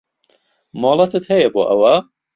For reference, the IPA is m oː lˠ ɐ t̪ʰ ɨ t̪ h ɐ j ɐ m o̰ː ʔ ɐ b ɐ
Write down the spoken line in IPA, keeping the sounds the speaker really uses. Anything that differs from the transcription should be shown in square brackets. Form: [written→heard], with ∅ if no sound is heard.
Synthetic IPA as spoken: m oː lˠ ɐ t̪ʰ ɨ t̪ h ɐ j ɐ [m→b] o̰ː ʔ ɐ [b→w] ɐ